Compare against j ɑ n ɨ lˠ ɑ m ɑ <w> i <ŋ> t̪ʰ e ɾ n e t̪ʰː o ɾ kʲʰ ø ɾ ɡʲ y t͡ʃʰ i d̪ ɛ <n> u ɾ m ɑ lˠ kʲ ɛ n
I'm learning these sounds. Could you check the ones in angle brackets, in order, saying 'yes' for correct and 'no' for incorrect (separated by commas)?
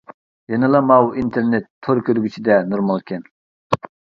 yes, no, yes